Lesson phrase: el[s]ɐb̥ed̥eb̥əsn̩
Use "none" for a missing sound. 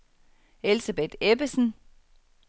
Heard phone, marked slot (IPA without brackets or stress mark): s